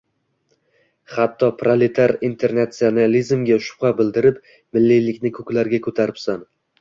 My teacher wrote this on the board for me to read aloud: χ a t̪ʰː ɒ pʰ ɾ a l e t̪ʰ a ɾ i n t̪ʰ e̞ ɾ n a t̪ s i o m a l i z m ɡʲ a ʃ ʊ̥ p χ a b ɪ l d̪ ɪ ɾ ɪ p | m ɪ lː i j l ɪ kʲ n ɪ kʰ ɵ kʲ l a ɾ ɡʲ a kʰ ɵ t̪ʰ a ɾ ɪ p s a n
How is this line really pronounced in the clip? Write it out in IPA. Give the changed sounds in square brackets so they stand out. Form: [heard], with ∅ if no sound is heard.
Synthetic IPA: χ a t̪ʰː ɒ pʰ ɾ a l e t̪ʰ a ɾ i n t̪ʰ e̞ ɾ n a t̪ s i o [n] a l i z m ɡʲ a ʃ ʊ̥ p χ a b ɪ l d̪ ɪ ɾ ɪ p | m ɪ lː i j l ɪ kʲ n ɪ kʰ ɵ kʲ l a ɾ ɡʲ a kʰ ɵ t̪ʰ a ɾ ɪ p s a n